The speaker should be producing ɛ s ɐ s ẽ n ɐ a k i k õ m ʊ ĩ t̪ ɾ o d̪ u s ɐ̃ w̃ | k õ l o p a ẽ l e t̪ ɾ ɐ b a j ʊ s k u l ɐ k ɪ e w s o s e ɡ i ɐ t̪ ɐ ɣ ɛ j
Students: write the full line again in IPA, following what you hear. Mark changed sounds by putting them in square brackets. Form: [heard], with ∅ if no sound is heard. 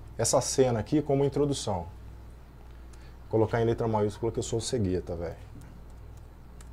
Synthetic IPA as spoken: ɛ s ɐ s ẽ n ɐ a k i k õ m ʊ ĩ t̪ ɾ o d̪ u s ɐ̃ w̃ | k [o] l o [k] a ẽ l e t̪ ɾ ɐ [m] a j [u] s k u l ɐ k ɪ e w s o s e ɡ i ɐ t̪ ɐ [v] ɛ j